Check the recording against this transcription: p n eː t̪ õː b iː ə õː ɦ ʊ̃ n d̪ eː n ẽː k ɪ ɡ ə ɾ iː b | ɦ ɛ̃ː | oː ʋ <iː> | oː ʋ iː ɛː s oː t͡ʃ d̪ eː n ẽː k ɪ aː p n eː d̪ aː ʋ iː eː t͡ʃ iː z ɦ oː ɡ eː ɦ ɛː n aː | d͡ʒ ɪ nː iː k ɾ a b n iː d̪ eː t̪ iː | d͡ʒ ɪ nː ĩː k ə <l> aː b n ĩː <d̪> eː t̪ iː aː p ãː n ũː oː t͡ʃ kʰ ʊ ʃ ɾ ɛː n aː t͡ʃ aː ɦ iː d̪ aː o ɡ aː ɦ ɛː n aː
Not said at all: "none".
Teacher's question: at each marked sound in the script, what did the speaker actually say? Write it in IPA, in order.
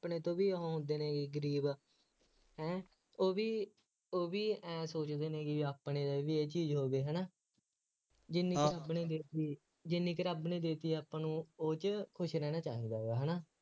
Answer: iː, ɾ, d̪

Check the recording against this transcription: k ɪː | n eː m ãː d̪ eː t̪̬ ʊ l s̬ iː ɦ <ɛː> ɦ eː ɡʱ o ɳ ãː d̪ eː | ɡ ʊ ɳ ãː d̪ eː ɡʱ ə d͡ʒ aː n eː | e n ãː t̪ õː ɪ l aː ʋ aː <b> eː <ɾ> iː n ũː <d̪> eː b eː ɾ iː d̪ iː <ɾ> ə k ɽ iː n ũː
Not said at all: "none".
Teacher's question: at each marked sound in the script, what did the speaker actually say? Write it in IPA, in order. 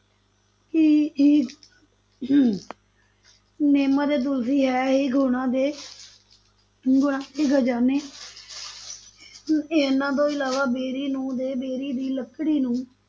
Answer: ɛː, b, ɾ, d̪, l

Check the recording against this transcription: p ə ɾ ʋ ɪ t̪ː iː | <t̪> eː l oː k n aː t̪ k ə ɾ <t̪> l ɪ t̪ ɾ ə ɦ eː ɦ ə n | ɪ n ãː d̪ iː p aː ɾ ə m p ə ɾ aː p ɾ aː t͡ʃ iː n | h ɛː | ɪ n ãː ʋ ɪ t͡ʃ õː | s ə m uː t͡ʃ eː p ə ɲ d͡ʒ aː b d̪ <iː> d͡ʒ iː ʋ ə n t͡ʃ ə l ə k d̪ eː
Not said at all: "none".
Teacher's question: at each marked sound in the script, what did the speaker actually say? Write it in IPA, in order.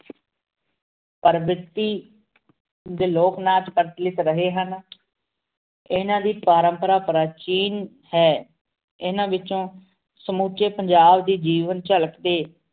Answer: d̪, t̪, iː

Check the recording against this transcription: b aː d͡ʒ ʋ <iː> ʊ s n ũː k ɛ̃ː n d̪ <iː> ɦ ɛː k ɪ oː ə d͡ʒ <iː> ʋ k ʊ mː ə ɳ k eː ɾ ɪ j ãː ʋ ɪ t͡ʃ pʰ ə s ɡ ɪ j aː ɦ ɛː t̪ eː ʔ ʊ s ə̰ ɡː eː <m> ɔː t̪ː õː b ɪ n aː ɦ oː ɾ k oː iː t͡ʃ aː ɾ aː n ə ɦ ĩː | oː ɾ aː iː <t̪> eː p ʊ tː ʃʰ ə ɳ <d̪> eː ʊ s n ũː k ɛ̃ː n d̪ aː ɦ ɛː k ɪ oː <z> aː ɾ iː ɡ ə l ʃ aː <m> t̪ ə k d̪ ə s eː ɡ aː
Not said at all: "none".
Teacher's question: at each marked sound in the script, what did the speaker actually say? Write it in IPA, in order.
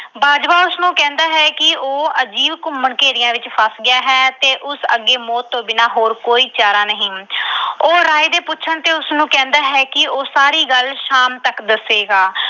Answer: aː, aː, iː, m, d̪, t̪, s, m

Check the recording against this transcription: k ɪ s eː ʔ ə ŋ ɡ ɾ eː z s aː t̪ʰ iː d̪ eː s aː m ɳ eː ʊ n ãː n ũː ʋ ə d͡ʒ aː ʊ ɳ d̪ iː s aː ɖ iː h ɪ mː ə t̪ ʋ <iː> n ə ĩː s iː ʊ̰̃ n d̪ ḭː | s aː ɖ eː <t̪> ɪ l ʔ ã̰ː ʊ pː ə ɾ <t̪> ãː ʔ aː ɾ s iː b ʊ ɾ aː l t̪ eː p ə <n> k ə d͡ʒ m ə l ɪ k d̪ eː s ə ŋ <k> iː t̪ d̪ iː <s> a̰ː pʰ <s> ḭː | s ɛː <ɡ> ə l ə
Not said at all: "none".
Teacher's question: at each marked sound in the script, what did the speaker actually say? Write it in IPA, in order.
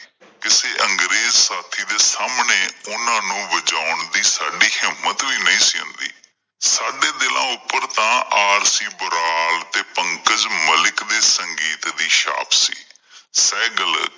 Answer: iː, d̪, t̪, ŋ, ɡ, ʃ, s, ɡ

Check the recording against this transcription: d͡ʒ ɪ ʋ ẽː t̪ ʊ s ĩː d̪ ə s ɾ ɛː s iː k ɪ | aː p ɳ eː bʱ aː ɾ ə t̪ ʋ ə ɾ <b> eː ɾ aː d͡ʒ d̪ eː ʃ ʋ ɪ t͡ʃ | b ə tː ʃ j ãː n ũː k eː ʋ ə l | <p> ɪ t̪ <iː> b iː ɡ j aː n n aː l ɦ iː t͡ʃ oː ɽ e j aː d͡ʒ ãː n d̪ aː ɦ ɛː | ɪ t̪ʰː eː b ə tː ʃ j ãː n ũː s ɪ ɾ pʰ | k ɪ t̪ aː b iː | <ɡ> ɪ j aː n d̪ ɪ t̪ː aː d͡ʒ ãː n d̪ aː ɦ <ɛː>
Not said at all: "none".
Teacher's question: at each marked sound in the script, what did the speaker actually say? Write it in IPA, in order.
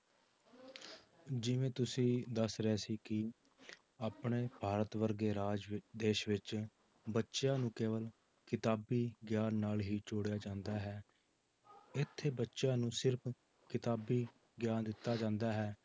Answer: ɡ, k, aː, ɡ, ɛː

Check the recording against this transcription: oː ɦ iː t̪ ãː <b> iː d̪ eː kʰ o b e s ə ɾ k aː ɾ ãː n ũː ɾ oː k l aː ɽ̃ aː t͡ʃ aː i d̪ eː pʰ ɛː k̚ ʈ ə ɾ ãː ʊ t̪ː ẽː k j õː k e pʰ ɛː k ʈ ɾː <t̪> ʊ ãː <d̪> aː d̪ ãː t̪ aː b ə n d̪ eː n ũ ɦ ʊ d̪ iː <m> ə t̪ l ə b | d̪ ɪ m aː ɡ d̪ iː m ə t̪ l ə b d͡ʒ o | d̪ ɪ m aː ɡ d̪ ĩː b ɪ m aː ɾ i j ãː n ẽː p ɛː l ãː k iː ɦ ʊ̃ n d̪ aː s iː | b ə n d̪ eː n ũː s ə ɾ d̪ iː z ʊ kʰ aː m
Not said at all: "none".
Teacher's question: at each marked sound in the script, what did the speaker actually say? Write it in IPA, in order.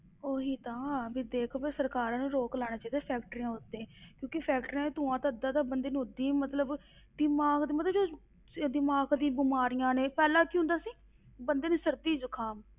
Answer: b, t̪, t̪, m

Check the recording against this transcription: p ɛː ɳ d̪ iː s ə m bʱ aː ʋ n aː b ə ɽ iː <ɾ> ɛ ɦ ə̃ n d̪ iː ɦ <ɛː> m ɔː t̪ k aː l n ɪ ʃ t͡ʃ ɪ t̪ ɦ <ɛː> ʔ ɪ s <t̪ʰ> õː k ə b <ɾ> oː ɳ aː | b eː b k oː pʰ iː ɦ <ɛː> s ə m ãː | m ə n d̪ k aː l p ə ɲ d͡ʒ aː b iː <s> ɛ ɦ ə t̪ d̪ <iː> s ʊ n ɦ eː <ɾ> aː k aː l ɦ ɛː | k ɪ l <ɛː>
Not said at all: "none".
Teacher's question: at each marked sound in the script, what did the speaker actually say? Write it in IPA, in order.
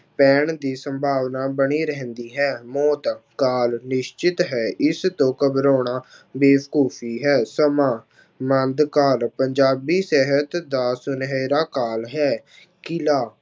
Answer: ɾ, ɛː, ɛː, t̪, ɾ, ɛː, s, aː, ɾ, aː

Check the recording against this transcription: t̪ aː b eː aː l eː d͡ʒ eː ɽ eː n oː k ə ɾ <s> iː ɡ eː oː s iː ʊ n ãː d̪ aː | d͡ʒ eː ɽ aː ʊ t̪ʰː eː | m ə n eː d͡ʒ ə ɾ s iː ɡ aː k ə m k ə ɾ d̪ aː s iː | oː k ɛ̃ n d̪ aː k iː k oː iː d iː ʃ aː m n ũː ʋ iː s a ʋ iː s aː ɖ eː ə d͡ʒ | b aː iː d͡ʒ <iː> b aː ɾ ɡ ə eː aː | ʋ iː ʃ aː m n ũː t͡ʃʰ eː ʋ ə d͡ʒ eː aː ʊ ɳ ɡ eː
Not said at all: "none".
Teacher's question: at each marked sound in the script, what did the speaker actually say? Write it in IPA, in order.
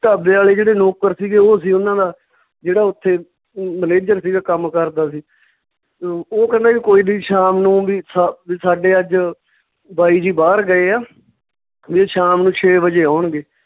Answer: s, iː

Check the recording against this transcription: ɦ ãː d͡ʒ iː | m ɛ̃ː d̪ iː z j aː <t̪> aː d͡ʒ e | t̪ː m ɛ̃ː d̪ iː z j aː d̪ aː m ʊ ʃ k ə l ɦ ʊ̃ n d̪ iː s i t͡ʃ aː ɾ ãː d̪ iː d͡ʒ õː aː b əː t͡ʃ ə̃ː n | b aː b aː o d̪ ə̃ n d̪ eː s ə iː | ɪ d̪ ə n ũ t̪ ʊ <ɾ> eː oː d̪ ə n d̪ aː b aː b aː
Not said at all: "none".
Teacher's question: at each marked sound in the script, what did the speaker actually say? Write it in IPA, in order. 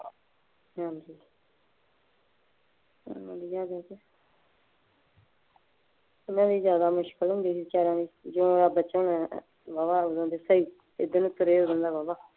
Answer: d̪, ɾ

